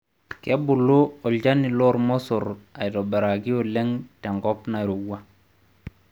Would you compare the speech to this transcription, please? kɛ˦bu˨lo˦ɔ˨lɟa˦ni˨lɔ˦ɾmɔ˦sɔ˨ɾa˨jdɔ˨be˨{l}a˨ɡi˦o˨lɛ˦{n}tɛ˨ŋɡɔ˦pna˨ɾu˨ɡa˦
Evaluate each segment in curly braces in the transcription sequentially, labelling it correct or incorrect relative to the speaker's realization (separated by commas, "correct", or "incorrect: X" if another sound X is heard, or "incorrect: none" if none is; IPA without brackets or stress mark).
incorrect: ɾ, incorrect: ŋ